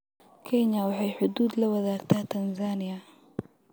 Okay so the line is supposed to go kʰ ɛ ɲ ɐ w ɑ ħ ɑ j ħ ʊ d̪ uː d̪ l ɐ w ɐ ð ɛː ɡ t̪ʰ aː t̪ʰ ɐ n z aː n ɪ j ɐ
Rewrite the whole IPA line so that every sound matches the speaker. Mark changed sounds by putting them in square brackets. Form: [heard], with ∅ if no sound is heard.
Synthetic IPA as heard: kʰ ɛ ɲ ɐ w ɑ ħ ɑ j ħ ʊ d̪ uː d̪ l ɐ w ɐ ð [aː] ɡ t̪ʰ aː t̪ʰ ɐ n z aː n ɪ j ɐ